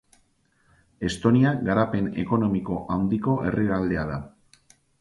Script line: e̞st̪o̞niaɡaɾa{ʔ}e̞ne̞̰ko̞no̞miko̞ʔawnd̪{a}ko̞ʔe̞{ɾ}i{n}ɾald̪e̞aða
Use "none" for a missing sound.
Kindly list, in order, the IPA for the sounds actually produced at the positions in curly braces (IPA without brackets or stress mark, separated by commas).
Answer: p, i, r, none